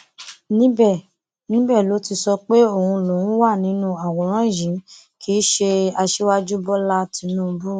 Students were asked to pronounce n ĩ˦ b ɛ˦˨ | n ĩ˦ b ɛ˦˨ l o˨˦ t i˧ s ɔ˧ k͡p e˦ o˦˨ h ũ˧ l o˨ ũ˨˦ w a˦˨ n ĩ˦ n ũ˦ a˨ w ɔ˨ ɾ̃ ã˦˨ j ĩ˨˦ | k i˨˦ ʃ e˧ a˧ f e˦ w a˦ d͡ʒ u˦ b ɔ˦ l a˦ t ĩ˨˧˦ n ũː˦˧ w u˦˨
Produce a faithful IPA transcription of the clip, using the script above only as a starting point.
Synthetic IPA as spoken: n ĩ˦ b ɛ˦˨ | n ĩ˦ b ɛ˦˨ l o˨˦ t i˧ s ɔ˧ k͡p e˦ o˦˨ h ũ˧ l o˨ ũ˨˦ w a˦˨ n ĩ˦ n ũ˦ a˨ w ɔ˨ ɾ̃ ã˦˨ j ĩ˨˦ | k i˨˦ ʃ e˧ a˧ ʃ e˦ w a˦ d͡ʒ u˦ b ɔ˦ l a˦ t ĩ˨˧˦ n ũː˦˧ b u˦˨

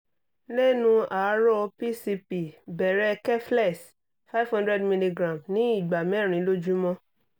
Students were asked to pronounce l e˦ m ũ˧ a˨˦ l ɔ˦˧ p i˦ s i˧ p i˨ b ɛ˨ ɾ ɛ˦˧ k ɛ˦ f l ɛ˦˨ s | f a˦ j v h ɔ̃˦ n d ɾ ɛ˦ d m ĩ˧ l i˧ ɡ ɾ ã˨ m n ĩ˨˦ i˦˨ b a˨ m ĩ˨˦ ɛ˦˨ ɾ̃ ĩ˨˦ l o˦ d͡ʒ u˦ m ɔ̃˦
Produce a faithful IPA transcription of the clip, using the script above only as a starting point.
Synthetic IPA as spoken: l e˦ n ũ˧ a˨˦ ɾ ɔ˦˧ p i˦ s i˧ p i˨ b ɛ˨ ɾ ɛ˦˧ k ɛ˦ f l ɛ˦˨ s | f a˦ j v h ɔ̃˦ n d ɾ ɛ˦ d m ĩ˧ l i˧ ɡ ɾ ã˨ m n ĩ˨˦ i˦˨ ɡ͡b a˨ m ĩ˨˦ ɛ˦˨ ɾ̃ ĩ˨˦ l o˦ d͡ʒ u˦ m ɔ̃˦

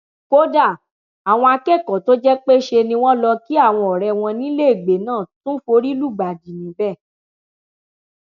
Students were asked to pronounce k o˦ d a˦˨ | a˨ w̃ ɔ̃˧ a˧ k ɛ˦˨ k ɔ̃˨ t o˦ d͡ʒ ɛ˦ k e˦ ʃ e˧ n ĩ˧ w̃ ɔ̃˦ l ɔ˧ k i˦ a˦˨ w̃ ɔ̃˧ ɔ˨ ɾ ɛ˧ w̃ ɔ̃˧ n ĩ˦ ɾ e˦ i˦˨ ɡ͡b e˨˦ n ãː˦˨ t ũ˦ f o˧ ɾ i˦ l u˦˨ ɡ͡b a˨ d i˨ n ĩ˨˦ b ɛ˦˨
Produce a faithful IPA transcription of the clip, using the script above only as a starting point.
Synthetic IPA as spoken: k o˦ d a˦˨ | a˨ w̃ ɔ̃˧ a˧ k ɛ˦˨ k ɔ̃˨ t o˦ d͡ʒ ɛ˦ k͡p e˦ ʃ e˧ n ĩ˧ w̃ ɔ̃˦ l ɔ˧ k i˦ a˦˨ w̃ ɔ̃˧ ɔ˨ ɾ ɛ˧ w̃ ɔ̃˧ n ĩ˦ l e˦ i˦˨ ɡ͡b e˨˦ n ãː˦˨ t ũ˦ f o˧ ɾ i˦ l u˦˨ ɡ͡b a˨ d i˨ n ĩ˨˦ b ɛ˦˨

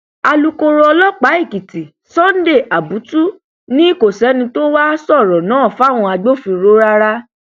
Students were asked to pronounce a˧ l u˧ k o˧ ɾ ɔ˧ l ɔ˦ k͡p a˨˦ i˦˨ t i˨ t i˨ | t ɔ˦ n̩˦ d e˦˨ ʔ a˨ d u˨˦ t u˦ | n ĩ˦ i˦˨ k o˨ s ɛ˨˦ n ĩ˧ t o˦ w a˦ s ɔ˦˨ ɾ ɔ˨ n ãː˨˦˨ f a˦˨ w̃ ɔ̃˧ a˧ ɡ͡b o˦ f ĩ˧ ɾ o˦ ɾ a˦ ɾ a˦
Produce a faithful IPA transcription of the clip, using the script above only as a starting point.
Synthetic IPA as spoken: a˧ l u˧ k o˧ ɾ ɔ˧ l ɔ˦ k͡p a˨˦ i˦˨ k i˨ t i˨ | s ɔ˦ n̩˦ d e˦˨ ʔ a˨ b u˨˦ t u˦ | n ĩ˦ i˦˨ k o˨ s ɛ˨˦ n ĩ˧ t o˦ w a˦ s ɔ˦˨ ɾ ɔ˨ n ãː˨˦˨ f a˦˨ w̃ ɔ̃˧ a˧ ɡ͡b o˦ f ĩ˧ ɾ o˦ ɾ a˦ ɾ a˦

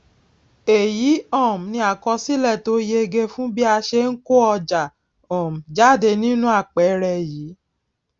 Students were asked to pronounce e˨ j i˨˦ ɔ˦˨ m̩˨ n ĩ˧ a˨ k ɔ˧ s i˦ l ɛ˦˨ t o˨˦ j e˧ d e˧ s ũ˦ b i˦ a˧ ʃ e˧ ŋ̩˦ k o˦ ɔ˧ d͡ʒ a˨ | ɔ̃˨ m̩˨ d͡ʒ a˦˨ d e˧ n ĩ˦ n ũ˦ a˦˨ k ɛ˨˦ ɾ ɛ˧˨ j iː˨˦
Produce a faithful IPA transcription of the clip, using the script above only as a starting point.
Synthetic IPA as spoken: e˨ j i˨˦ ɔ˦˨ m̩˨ n ĩ˧ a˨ k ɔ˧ s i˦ l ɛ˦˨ t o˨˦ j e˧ ɡ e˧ f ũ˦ b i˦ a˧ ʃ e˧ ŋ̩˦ k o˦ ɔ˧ d͡ʒ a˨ | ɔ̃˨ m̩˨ d͡ʒ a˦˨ d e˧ n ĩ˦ n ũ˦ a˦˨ k͡p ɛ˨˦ ɾ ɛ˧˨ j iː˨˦

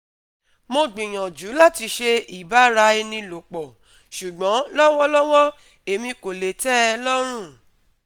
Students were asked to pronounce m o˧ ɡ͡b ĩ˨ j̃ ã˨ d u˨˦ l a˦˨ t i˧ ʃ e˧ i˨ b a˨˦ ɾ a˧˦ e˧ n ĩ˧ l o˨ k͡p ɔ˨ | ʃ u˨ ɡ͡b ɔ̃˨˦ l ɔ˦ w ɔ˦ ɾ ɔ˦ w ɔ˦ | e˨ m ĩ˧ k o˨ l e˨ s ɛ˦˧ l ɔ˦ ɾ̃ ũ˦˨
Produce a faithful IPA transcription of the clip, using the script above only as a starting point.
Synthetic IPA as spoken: m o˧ ɡ͡b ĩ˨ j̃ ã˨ d͡ʒ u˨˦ l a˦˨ t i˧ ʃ e˧ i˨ b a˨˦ ɾ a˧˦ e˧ n ĩ˧ l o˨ k͡p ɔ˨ | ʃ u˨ ɡ͡b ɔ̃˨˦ l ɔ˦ w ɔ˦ l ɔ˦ w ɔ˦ | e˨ m ĩ˧ k o˨ l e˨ t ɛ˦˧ l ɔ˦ ɾ̃ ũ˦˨

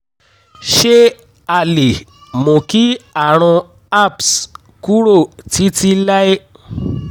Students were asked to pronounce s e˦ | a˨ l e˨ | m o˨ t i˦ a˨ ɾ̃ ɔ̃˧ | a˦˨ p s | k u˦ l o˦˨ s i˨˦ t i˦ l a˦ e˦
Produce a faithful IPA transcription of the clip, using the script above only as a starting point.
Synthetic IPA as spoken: ʃ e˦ | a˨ l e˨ | m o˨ k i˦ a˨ ɾ̃ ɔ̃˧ | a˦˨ p s | k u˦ ɾ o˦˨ t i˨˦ t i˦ l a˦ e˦

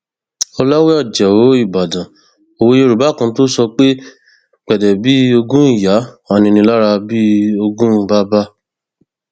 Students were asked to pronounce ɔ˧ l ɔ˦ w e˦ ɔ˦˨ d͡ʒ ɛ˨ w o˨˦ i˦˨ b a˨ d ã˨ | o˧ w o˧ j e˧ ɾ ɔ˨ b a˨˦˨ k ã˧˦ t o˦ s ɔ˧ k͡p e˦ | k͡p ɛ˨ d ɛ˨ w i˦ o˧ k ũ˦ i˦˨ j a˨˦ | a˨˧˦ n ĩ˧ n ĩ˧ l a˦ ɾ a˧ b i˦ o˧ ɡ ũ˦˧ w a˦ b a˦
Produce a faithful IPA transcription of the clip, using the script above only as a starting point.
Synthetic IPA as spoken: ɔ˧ l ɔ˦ w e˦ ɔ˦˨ d͡ʒ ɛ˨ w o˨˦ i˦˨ b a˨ d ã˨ | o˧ w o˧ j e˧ ɾ u˨ b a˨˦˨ k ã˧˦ t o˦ s ɔ˧ k͡p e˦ | k͡p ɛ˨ d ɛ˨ b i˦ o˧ ɡ ũ˦ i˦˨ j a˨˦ | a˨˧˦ n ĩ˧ n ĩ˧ l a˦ ɾ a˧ b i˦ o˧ ɡ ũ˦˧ b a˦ b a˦

